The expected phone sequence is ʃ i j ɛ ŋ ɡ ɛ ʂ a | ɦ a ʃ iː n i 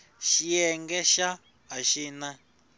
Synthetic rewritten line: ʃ i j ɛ ŋ ɡ ɛ ʃ a | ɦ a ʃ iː n a